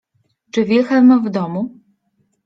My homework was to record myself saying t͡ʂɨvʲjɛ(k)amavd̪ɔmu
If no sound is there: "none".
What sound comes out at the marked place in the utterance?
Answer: x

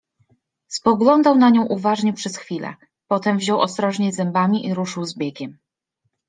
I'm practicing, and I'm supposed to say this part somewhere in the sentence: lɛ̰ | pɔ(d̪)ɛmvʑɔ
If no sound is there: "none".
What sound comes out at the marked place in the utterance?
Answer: t̪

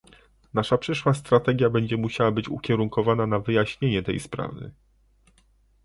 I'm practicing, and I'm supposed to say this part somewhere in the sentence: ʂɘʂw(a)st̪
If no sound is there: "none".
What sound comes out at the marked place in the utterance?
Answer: a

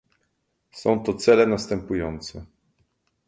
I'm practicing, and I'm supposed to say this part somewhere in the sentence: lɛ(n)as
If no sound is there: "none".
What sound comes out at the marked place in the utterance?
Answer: n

